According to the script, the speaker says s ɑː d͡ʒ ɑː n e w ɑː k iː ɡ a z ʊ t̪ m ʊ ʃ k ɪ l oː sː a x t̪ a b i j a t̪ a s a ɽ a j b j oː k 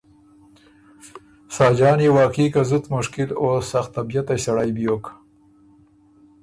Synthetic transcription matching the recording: s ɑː d͡ʒ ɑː n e w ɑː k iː k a z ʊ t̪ m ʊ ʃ k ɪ l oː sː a x t̪ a b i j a t̪ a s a ɽ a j b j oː k